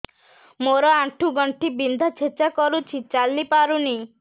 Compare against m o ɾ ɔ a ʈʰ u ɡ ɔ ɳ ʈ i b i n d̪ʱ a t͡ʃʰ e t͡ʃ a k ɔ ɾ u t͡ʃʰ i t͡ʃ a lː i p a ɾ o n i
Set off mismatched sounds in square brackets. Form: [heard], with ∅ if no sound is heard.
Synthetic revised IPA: m o ɾ ɔ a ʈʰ u ɡ ɔ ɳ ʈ i b i n d̪ʱ a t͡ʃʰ e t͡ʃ a k ɔ ɾ u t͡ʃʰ i t͡ʃ a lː i p a ɾ [u] n i